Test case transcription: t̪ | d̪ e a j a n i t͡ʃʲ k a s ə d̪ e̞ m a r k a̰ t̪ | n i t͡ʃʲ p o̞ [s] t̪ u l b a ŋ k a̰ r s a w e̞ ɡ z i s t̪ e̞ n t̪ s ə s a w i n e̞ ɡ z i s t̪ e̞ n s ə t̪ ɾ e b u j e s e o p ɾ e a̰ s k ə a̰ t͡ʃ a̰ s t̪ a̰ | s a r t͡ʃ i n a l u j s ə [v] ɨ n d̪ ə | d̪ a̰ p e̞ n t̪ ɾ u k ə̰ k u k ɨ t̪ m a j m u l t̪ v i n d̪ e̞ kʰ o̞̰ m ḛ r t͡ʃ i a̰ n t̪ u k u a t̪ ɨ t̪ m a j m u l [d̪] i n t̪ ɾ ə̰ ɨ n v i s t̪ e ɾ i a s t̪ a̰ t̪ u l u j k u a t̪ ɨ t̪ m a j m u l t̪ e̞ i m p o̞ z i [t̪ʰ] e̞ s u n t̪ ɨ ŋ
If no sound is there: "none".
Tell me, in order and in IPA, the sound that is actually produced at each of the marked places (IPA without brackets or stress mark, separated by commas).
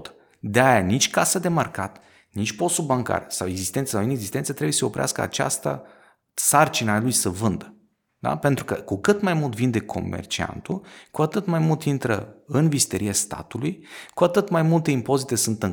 s, v, t̪, t̪